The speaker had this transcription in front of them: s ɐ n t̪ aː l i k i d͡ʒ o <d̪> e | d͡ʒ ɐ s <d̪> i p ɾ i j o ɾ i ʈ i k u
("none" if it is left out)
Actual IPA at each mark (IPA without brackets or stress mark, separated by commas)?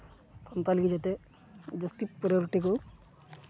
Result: t̪, t̪